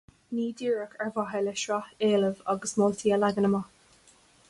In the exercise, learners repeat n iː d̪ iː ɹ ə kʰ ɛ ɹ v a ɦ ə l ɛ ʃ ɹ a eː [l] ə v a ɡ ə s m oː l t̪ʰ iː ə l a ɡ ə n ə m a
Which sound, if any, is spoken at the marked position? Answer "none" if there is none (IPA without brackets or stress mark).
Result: l